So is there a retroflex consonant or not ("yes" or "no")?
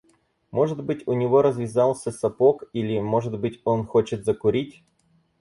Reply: yes